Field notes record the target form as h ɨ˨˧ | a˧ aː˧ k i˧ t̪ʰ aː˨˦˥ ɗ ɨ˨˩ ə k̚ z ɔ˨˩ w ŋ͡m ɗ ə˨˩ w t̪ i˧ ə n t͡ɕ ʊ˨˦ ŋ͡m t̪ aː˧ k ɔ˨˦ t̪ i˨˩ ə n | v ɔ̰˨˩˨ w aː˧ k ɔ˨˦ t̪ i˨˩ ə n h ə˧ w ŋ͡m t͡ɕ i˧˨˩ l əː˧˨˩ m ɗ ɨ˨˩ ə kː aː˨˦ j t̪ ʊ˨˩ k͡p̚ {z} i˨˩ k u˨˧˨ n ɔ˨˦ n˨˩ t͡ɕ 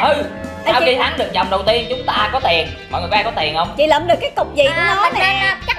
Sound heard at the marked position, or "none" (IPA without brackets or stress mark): z